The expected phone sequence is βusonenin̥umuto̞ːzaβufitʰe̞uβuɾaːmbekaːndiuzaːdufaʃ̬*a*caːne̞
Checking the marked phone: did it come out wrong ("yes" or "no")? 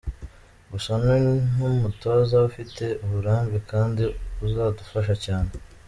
no